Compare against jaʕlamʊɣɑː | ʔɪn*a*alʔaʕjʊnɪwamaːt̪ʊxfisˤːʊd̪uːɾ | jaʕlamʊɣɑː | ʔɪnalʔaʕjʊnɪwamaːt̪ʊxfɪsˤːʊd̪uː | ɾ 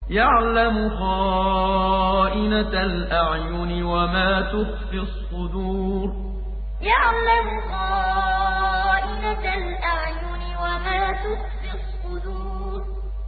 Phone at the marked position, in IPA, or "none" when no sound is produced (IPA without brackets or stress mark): a